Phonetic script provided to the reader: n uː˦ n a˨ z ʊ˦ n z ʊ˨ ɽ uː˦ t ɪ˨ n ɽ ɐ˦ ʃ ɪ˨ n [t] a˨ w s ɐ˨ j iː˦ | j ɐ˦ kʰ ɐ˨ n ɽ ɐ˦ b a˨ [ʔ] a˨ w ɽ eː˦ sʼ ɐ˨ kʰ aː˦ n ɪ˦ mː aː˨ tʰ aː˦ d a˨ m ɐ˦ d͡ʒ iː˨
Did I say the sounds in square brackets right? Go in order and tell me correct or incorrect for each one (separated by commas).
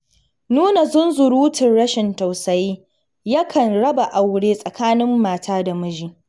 correct, correct